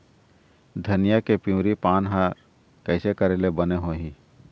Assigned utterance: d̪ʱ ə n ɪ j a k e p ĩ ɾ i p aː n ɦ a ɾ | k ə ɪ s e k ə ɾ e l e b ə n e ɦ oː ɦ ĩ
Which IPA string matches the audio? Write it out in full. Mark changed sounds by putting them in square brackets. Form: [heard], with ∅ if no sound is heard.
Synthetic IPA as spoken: d̪ʱ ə n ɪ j a k e p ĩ ɾ i p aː n ɦ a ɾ | k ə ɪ s e k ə ɾ e l e b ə n e ɦ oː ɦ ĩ